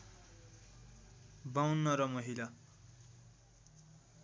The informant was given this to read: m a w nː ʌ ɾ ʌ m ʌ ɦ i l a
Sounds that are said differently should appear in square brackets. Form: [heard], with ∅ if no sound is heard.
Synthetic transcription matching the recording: [b] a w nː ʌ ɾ ʌ m ʌ ɦ i l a